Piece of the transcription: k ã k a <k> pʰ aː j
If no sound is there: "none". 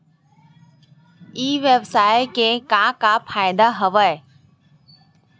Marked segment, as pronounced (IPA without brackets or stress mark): none